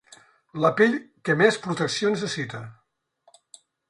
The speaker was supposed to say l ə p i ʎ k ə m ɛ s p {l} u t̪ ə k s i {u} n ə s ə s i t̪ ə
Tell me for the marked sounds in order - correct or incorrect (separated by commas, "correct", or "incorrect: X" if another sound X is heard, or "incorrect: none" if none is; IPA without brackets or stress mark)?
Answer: incorrect: ɾ, incorrect: o